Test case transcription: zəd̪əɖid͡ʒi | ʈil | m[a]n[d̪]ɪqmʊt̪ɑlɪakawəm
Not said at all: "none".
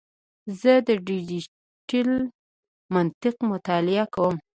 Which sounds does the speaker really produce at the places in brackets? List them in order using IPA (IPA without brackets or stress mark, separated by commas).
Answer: a, t̪